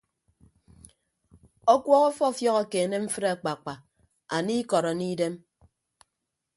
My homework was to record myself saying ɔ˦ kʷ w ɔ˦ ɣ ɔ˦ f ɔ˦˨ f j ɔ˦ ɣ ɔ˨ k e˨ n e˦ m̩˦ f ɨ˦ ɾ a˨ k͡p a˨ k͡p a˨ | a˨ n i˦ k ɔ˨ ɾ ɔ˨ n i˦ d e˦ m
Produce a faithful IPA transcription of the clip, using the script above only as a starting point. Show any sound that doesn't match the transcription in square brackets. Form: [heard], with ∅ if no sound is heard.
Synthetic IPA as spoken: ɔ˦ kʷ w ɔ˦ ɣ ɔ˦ f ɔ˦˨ f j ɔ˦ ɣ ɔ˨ k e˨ n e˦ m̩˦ f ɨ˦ ɾ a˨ k͡p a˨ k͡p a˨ | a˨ n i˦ k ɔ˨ ɾ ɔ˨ n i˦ d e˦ m